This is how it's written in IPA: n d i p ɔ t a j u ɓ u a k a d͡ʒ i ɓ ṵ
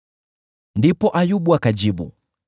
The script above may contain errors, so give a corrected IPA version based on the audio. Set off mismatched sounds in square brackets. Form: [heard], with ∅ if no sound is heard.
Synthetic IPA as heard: n d i p ɔ [ʔ] a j u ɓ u a k a d͡ʒ i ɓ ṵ

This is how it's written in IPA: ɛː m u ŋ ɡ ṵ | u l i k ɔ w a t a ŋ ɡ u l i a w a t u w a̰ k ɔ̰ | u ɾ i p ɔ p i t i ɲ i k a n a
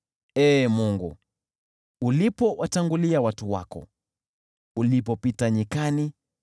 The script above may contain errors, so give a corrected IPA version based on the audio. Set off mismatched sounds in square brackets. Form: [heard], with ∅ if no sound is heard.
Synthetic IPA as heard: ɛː m u ŋ ɡ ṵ | u l i [p] ɔ w a t a ŋ ɡ u l i a w a t u w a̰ k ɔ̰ | u [l] i p ɔ p i t [a] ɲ i k a n [i]

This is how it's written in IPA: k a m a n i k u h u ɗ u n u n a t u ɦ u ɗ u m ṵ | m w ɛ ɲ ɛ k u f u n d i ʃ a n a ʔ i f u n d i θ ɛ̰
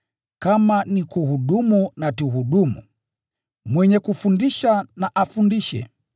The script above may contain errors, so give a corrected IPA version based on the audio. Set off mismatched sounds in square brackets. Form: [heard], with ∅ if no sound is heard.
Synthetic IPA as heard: k a m a n i k u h u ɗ u [m] u n a t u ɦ u ɗ u m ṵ | m w ɛ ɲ ɛ k u f u n d i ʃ a n a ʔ [a] f u n d i [ʃ] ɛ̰

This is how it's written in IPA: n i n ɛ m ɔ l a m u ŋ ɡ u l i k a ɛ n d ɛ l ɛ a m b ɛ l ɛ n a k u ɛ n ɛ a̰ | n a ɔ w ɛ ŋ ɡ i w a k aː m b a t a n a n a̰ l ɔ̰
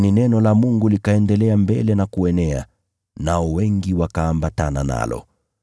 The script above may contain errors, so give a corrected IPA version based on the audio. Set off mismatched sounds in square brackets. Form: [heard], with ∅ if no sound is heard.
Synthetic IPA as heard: n i n ɛ [n] ɔ l a m u ŋ ɡ u l i k a ɛ n d ɛ l ɛ a m b ɛ l ɛ n a k u ɛ n ɛ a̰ | n a ɔ w ɛ ŋ ɡ i w a k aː m b a t a n a n a̰ l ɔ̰

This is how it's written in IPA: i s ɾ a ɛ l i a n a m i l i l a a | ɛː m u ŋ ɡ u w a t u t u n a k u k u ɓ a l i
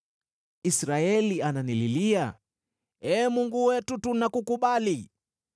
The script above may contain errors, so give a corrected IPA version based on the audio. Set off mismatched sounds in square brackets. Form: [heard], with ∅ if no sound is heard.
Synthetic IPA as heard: i s ɾ a ɛ l i a n a [n] i l i l [i] a | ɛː m u ŋ ɡ u w [ɛ] t u t u n a k u k u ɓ a l i

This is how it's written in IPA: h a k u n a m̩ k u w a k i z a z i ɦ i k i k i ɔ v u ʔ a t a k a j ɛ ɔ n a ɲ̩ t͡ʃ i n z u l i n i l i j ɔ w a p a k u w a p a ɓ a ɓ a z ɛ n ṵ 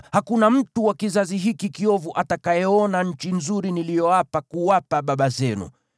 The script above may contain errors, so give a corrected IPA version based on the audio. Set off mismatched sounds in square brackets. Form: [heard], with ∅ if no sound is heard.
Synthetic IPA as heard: h a k u n a m̩ [t] u w a k i z a z i ɦ i k i k i ɔ v u ʔ a t a k a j ɛ ɔ n a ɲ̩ t͡ʃ i n z u [ɾ] i n i l i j ɔ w a p a k u w a p a ɓ a ɓ a z ɛ n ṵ

